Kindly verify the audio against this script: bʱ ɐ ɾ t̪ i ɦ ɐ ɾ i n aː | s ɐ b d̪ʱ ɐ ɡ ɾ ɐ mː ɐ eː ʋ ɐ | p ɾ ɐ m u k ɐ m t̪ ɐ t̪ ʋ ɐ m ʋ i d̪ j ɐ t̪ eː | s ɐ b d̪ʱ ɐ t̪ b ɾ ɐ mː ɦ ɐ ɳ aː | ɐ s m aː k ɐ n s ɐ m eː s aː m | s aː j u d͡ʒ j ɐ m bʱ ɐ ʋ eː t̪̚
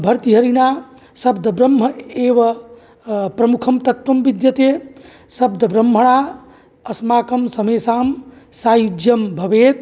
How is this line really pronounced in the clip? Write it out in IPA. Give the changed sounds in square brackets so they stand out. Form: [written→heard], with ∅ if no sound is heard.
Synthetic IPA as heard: bʱ ɐ ɾ t̪ i ɦ ɐ ɾ i n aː | s ɐ b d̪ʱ ɐ [ɡ→b] ɾ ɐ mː ɐ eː ʋ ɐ | p ɾ ɐ m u [k→kʰ] ɐ m t̪ ɐ t̪ ʋ ɐ m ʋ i d̪ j ɐ t̪ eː | s ɐ b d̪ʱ ɐ [t̪→∅] b ɾ ɐ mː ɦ ɐ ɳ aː | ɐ s m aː k ɐ [n→m] s ɐ m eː s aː m | s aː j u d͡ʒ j ɐ m bʱ ɐ ʋ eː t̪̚